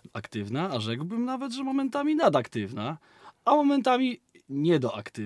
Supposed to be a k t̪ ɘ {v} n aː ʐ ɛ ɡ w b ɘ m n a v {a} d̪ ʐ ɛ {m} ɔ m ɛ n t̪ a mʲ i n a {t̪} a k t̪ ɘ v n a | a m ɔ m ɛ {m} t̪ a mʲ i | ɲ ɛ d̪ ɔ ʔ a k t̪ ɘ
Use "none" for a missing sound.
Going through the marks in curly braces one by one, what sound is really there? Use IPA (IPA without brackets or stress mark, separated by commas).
v, ɛ, m, d̪, n